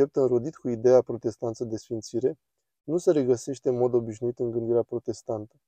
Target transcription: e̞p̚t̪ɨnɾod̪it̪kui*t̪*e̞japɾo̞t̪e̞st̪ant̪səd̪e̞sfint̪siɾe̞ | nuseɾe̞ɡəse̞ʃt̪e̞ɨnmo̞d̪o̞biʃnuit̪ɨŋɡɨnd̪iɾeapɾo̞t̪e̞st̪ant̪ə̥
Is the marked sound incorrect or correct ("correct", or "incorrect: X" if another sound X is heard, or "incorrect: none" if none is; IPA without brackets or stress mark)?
incorrect: d̪